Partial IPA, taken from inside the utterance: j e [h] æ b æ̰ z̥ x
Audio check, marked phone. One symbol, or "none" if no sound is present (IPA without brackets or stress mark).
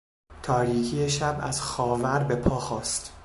ʃ